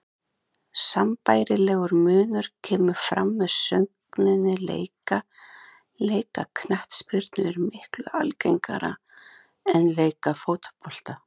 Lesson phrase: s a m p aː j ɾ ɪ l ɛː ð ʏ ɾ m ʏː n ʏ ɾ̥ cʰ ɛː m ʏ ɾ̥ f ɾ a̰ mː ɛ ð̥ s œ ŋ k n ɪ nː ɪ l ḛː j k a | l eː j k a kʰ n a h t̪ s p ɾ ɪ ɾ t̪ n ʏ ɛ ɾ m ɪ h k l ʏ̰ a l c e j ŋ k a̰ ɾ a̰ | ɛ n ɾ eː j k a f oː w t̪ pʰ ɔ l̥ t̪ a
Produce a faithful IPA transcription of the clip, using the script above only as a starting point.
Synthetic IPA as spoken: s a m p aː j ɾ ɪ l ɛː ɣ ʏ ɾ m ʏː n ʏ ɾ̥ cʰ ɛː m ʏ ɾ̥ f ɾ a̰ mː ɛ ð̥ s œ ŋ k n ɪ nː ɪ l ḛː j k a | l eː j k a kʰ n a h t̪ s p ɾ ɪ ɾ t̪ n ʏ ɛ ɾ m ɪ h k l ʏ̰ a l c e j ŋ k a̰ ɾ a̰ | ɛ n l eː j k a f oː w t̪ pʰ ɔ l̥ t̪ a